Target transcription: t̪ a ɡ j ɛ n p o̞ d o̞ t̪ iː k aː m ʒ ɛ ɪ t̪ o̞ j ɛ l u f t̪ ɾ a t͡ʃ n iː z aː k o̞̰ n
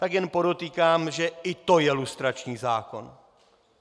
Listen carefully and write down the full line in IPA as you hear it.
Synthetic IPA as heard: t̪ a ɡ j ɛ n p o̞ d o̞ t̪ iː k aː m ʒ ɛ ɪ t̪ o̞ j ɛ l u s t̪ ɾ a t͡ʃ ɲ iː z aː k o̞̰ n

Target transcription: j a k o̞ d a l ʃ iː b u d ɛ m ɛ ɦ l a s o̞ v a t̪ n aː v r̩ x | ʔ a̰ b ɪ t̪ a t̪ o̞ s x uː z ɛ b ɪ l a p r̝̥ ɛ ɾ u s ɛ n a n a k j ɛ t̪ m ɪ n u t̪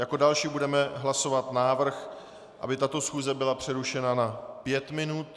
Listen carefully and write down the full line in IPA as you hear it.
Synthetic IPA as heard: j a k o̞ d a l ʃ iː b u d ɛ m ɛ ɦ l a s o̞ v a t̪ n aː v r̩ x | ʔ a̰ b ɪ t̪ a t̪ o̞ s x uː z ɛ b ɪ l a p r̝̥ ɛ ɾ u ʃ ɛ n a n a p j ɛ t̪ m ɪ n u t̪

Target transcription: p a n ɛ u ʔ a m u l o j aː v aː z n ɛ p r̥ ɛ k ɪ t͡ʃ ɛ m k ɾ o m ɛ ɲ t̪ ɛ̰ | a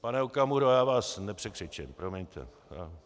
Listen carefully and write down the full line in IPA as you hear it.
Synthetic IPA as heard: p a n ɛ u k a m u ɾ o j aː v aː s n ɛ p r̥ ɛ k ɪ t͡ʃ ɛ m p ɾ o m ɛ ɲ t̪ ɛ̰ | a

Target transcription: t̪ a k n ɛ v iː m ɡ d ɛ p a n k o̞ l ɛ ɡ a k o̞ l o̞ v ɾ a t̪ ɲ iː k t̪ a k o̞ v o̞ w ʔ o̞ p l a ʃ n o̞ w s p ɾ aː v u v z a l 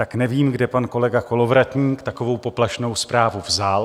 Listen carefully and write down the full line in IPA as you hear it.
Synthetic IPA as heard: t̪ a k n ɛ v iː m ɡ d ɛ p a n k o̞ l ɛ ɡ a k o̞ l o̞ v ɾ a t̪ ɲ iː k t̪ a k o̞ v o̞ w p o̞ p l a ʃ n o̞ w s p ɾ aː v u v z a l

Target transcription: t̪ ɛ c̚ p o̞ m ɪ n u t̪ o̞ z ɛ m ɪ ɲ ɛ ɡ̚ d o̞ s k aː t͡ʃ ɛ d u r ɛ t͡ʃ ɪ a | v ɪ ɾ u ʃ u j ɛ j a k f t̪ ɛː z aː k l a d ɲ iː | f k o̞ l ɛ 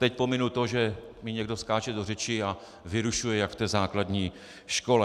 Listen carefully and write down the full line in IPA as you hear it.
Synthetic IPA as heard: t̪ ɛ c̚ p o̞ m ɪ n u t̪ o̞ ʒ ɛ m ɪ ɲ ɛ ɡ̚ d o̞ s k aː t͡ʃ ɛ d o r ɛ t͡ʃ ɪ a | v ɪ ɾ u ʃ u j ɛ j a k f t̪ ɛː z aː k l a d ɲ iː | ʃ k o̞ l ɛ

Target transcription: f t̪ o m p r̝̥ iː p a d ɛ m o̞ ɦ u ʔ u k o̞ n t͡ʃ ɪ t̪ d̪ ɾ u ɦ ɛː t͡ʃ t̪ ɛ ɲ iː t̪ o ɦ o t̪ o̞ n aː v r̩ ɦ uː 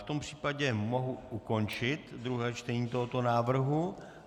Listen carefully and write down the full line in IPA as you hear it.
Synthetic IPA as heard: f t̪ o m p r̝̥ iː p a ɟ ɛ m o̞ ɦ u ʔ u k o̞ n t͡ʃ ɪ t̪ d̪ ɾ u ɦ ɛː t͡ʃ t̪ ɛ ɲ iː t̪ o ɦ o t̪ o̞ n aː v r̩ ɦ u

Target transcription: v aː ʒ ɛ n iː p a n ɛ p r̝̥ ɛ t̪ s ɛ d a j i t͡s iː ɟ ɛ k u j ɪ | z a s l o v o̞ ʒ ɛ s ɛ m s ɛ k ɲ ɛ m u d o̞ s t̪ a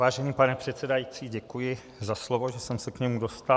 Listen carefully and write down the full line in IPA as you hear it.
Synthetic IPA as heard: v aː ʒ ɛ n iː p a n ɛ p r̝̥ ɛ t̪ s ɛ d a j i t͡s iː ɟ ɛ k u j ɪ | z a s l o v o̞ ʒ ɛ s ɛ m s ɛ k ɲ ɛ m u d o̞ s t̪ a

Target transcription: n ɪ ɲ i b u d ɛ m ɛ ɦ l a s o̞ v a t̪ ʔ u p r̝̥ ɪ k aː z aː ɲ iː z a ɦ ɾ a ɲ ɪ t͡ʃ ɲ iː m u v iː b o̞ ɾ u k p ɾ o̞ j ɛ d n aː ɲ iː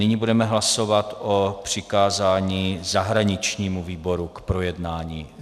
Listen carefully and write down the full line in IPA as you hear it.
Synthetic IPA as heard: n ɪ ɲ i b u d ɛ m ɛ ɦ l a s o̞ v a t̪ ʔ o p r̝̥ ɪ k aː z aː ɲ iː z a ɦ ɾ a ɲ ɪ t͡ʃ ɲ iː m u v iː b o̞ ɾ u k p ɾ o̞ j ɛ d n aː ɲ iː

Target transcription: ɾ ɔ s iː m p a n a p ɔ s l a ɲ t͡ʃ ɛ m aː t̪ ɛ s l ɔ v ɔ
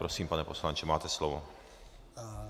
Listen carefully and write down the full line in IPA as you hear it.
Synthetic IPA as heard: ɾ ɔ s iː m p a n ɛ p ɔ s l a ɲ t͡ʃ ɛ m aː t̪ ɛ s l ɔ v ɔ

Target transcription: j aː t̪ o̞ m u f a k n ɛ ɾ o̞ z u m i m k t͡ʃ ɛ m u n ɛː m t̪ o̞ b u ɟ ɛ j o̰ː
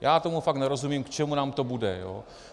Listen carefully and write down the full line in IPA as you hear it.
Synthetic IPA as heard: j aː t̪ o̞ m u f a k n ɛ ɾ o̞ z u m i m k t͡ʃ ɛ m u n aː m t̪ o̞ b u d ɛ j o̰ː

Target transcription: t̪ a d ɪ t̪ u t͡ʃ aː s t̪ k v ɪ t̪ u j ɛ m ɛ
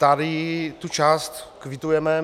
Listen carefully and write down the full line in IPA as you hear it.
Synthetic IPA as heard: t̪ a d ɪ t̪ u t͡ʃ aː s t̪ k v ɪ t̪ u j ɛ m ɛ

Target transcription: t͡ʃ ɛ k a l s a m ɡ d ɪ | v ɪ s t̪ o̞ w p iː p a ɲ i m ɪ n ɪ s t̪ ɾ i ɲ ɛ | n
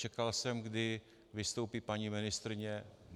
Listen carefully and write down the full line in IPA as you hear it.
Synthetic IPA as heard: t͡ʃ ɛ k a l s ɛ m ɡ d ɪ | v ɪ s t̪ o̞ w p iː p a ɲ i m ɪ n ɪ s t̪ ɾ ɪ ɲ ɛ | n

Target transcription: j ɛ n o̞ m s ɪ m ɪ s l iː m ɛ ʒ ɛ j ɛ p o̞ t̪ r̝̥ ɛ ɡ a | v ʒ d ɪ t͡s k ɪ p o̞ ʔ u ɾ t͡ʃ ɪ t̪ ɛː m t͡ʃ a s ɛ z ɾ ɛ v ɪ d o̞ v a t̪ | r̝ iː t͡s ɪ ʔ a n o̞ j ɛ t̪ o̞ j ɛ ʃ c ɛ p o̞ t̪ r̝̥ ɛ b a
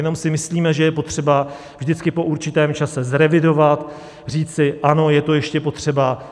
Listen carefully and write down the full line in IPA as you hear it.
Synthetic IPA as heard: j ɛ n o̞ m s ɪ m ɪ s l iː m ɛ ʒ ɛ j ɛ p o̞ t̪ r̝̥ ɛ b a | v ʒ d ɪ t͡s k ɪ p o̞ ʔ u ɾ t͡ʃ ɪ t̪ ɛː m t͡ʃ a s ɛ z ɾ ɛ v ɪ d o̞ v a t̪ | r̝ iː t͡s ɪ ʔ a n o̞ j ɛ t̪ o̞ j ɛ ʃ c ɛ p o̞ t̪ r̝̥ ɛ b a

